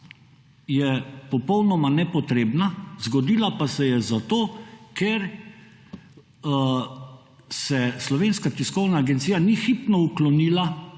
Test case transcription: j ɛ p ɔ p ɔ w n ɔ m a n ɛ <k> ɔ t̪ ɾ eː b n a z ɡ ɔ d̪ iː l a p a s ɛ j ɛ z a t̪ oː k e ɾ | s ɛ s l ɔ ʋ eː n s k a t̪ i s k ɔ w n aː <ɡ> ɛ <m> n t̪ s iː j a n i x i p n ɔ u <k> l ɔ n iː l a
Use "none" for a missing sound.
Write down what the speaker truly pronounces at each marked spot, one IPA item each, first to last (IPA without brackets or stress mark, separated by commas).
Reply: p, ɡ, none, k